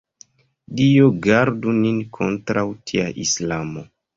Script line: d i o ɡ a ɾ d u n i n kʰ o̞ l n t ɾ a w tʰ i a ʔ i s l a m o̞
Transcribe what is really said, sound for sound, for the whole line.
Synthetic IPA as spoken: d i o ɡ a ɾ d u n i n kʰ o̞ n t ɾ a w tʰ i a ʔ i s l a m o̞